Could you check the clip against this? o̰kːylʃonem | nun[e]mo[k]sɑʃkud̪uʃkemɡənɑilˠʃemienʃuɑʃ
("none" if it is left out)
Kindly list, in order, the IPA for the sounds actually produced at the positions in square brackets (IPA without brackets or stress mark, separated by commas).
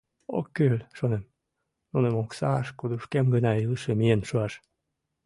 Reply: e, k